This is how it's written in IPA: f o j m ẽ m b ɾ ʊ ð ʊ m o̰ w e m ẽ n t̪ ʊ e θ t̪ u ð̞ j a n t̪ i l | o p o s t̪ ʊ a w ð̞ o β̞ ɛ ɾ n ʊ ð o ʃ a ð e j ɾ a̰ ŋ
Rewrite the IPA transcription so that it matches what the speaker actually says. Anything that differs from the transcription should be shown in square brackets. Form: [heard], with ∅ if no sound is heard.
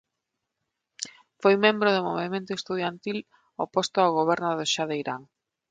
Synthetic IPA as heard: f o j m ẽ m b ɾ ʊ ð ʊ m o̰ [β] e m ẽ n t̪ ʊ e [s] t̪ u ð̞ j a n t̪ i l | o p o s t̪ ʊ a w [ɣ̞] o β̞ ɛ ɾ n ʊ ð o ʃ a ð e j ɾ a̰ ŋ